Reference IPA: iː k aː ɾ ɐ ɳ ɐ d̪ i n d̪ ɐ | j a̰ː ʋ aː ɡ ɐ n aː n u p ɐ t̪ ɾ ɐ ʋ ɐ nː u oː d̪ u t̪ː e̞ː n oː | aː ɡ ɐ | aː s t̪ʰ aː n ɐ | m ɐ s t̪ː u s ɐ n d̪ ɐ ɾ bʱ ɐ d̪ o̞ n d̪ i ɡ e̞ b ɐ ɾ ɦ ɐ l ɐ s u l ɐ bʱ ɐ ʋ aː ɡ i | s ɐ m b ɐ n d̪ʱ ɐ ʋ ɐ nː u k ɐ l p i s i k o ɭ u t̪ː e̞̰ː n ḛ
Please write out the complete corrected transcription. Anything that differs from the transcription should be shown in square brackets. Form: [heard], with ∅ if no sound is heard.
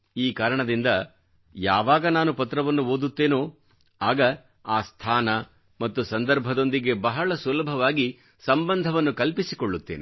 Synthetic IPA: iː k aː ɾ ɐ ɳ ɐ d̪ i n d̪ ɐ | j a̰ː ʋ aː ɡ ɐ n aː n u p ɐ t̪ ɾ ɐ ʋ ɐ nː u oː d̪ u t̪ː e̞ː n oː | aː ɡ ɐ | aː s t̪ʰ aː n ɐ | m ɐ [∅] t̪ː u s ɐ n d̪ ɐ ɾ bʱ ɐ d̪ o̞ n d̪ i ɡ e̞ b ɐ [∅] ɦ ɐ [ɭ] ɐ s u l ɐ bʱ ɐ ʋ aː ɡ i | s ɐ m b ɐ n d̪ʱ ɐ ʋ ɐ nː u k ɐ l p i s i k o [ɭː] u t̪ː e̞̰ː n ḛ

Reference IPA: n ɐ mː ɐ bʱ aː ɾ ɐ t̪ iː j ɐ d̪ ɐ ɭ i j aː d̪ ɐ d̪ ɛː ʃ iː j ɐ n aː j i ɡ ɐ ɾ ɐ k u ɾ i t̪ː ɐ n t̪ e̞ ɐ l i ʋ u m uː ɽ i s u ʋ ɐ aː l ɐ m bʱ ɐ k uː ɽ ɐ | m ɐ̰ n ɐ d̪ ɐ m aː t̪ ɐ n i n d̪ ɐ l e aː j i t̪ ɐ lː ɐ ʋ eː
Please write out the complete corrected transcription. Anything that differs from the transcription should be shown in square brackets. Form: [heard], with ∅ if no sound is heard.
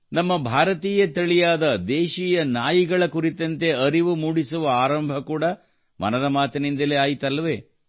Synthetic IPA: n ɐ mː ɐ bʱ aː ɾ ɐ t̪ iː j ɐ [t̪] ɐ ɭ i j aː d̪ ɐ d̪ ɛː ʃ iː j ɐ n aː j i ɡ ɐ [ɭ] ɐ k u ɾ i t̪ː ɐ n t̪ e̞ ɐ [ɾ] i ʋ u m uː ɽ i s u ʋ ɐ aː [ɾ] ɐ m bʱ ɐ k uː ɽ ɐ | m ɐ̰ n ɐ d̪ ɐ m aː t̪ ɐ n i n d̪ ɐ l e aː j i t̪ ɐ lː ɐ ʋ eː

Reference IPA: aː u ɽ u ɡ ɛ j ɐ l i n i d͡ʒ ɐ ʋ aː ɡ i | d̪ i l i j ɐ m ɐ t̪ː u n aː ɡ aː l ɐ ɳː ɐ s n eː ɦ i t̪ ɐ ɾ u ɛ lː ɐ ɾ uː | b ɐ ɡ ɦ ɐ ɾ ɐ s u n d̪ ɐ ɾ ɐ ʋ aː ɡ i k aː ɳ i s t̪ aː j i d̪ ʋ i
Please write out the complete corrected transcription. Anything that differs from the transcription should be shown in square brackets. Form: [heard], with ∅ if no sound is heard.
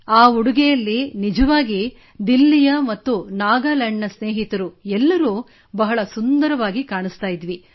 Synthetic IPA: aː u ɽ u ɡ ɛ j ɐ [lː] i n i d͡ʒ ɐ ʋ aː ɡ i | d̪ i [lː] i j ɐ m ɐ t̪ː u n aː ɡ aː l ɐ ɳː ɐ s n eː ɦ i t̪ ɐ ɾ u ɛ lː ɐ ɾ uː | b ɐ [∅] ɦ ɐ [ɭ] ɐ s u n d̪ ɐ ɾ ɐ ʋ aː ɡ i k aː ɳ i s t̪ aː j i d̪ ʋ i

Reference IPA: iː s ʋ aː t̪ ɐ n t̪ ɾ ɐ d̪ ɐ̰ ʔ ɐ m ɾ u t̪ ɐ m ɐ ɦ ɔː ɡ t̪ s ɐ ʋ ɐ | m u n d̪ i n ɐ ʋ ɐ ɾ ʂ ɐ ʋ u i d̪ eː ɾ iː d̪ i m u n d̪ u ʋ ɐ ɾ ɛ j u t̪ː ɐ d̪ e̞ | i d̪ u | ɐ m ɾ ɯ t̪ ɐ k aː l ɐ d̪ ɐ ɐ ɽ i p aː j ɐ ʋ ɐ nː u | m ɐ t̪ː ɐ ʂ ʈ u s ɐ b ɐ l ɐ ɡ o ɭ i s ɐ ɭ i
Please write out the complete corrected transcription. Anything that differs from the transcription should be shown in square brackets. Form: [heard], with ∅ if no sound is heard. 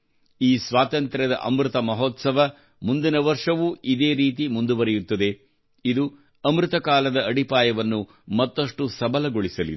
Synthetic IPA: iː s ʋ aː t̪ ɐ n t̪ ɾ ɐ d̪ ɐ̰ ʔ ɐ m ɾ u t̪ ɐ m ɐ ɦ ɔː [∅] t̪ s ɐ ʋ ɐ | m u n d̪ i n ɐ ʋ ɐ ɾ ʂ ɐ ʋ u i d̪ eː ɾ iː [t̪] i m u n d̪ u ʋ ɐ ɾ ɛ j u t̪ː ɐ d̪ e̞ | i d̪ u | ɐ m ɾ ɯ t̪ ɐ k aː l ɐ d̪ ɐ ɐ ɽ i p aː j ɐ ʋ ɐ nː u | m ɐ t̪ː ɐ ʂ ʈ u s ɐ b ɐ l ɐ ɡ o ɭ i s ɐ [l] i

